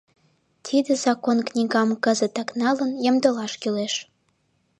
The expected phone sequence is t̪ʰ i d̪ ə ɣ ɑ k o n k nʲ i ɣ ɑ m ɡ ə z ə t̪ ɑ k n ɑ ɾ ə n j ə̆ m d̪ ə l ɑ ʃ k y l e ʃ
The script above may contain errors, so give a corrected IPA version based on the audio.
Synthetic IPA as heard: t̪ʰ i d̪ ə z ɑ k o n k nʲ i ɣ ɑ m k ə z ə t̪ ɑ k n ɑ l ə n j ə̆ m d̪ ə l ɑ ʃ k y l e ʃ